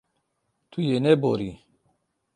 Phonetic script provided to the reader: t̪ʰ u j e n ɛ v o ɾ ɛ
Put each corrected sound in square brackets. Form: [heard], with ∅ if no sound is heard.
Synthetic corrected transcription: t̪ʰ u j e n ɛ [b] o ɾ [i]